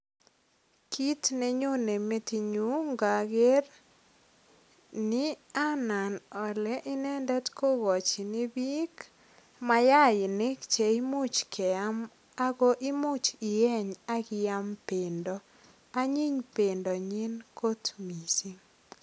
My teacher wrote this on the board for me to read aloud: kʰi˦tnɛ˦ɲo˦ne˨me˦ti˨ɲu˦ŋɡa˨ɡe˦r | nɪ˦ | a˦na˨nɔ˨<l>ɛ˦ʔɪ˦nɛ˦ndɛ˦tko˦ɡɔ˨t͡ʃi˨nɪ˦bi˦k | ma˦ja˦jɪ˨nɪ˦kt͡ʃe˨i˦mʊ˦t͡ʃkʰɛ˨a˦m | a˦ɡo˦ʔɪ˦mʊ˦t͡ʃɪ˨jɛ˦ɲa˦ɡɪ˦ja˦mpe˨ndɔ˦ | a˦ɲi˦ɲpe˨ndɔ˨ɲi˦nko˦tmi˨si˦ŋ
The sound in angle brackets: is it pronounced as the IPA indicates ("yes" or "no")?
yes